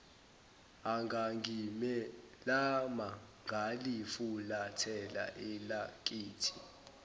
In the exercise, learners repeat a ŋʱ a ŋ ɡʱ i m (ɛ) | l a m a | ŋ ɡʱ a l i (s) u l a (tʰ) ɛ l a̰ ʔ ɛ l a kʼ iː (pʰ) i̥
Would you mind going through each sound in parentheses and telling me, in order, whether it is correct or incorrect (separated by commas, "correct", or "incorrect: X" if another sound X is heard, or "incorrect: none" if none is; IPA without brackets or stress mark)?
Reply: correct, incorrect: f, correct, incorrect: tʰ